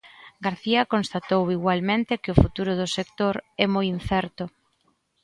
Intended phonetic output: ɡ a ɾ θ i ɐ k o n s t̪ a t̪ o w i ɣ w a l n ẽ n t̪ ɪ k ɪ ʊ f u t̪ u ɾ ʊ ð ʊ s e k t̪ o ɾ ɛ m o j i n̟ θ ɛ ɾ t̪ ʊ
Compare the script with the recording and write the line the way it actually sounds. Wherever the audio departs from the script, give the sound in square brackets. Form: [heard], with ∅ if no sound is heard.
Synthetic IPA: ɡ a ɾ θ i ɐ k o n s t̪ a t̪ o w i ɣ w a l [m] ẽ n t̪ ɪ k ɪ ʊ f u t̪ u ɾ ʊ ð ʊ s e k t̪ o ɾ ɛ m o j i n̟ θ ɛ ɾ t̪ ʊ